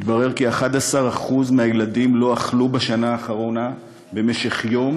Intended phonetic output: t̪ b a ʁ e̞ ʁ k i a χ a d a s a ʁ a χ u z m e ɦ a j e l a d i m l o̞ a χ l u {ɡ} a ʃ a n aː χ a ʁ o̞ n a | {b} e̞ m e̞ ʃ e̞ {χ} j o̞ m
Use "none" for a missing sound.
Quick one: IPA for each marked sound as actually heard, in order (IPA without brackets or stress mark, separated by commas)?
b, b, χ